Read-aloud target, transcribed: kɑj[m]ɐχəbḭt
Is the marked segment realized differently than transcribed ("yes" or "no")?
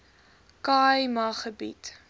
no